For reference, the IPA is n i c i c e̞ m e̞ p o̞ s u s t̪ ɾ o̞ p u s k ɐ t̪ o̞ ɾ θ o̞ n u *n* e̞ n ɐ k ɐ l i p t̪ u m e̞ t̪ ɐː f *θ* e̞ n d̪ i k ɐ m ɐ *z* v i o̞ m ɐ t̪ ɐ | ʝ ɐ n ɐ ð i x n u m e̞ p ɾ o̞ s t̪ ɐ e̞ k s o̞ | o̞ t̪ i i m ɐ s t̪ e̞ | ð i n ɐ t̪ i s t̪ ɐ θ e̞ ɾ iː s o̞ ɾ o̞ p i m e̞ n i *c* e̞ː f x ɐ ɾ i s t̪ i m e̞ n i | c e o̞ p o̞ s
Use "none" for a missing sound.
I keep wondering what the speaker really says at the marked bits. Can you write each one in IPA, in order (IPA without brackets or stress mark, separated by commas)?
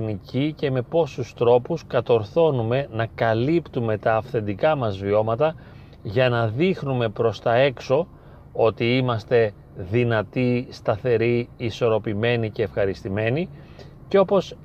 m, θ, z, c